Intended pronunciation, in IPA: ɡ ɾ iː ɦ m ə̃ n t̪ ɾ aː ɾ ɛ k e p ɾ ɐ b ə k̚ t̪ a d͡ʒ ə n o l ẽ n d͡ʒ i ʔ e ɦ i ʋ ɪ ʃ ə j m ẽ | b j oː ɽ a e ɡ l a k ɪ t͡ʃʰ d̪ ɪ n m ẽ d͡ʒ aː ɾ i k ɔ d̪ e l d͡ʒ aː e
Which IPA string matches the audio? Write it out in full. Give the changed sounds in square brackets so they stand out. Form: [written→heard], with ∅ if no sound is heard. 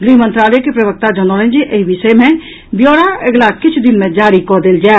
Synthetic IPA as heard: ɡ ɾ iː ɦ m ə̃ n t̪ ɾ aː [ɾ→l] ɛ k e p ɾ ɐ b ə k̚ t̪ a d͡ʒ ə n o l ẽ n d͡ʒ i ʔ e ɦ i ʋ ɪ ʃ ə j m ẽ | b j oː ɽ a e ɡ l a k ɪ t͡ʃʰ d̪ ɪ n m ẽ d͡ʒ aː ɾ i k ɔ d̪ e l d͡ʒ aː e